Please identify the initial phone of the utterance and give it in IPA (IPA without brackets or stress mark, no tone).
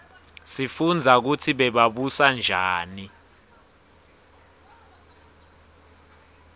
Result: s